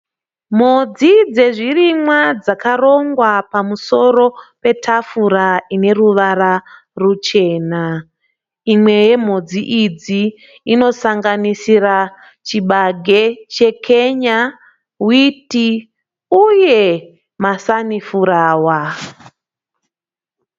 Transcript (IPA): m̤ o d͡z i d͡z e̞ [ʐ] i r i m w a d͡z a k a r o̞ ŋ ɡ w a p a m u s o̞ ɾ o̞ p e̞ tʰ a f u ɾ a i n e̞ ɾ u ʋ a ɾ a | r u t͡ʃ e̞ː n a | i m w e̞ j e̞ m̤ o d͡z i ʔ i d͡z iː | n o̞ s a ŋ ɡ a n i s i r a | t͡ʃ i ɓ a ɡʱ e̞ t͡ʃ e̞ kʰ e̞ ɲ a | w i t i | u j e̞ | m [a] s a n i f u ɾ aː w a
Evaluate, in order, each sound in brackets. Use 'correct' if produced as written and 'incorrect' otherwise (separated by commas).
correct, correct